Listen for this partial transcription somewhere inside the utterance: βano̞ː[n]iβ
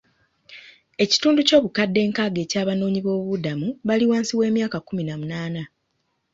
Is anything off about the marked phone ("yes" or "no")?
yes